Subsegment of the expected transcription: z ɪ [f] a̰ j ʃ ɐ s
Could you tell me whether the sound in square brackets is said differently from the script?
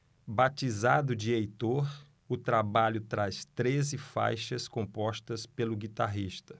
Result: no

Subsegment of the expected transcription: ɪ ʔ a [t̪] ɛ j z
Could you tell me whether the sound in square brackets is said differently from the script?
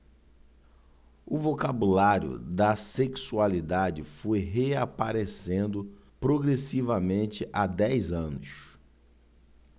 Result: yes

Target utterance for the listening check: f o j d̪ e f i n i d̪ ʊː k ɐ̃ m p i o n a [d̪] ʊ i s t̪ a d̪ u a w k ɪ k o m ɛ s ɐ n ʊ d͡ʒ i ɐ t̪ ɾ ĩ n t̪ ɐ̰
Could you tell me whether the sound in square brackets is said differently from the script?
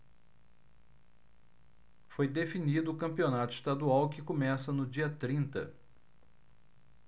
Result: yes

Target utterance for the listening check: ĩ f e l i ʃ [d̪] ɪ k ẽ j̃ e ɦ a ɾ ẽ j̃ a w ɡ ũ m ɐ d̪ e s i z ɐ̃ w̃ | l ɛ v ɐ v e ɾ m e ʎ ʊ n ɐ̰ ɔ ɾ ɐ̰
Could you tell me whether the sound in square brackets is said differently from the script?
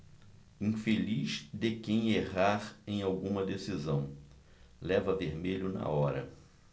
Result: no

